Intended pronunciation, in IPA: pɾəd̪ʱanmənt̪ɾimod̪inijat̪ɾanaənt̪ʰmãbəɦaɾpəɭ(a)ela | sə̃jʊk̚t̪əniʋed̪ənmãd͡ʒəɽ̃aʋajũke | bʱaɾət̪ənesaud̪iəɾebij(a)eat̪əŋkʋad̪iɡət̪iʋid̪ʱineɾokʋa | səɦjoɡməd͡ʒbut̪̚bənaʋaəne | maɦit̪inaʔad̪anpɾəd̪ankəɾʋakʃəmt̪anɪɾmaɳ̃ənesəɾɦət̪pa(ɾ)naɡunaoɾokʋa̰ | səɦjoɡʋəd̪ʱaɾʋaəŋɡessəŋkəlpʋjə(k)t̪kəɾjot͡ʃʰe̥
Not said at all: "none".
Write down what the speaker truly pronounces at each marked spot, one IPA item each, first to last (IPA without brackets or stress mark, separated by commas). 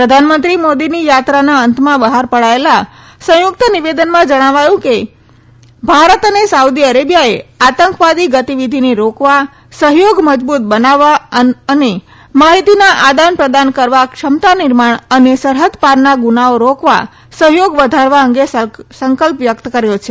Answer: a, a, ɾ, k